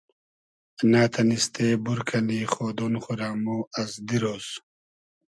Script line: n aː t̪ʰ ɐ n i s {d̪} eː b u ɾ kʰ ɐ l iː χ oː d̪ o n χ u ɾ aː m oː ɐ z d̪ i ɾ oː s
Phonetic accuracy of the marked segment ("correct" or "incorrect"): incorrect